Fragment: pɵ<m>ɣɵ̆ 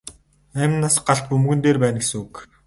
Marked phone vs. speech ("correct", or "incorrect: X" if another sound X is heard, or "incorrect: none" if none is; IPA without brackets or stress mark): correct